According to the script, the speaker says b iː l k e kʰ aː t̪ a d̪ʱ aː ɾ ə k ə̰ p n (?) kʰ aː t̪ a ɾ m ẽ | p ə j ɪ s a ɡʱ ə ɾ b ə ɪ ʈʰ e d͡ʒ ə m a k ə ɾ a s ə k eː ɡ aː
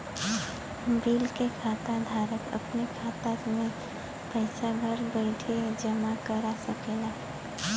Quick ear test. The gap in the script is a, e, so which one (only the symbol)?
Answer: e